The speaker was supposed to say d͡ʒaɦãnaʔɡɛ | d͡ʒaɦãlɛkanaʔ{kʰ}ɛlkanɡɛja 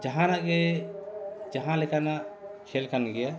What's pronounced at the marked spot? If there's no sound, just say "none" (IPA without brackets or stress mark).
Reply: kʰ